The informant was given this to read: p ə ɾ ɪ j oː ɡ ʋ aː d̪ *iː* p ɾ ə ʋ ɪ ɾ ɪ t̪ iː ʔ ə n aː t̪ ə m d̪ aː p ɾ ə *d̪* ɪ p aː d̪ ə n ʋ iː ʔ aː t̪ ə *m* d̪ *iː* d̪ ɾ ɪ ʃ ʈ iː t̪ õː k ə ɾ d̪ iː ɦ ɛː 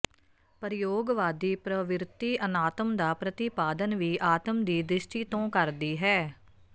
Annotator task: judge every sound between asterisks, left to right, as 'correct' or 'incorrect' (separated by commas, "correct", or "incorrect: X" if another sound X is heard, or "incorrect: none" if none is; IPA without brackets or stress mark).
correct, incorrect: t̪, correct, correct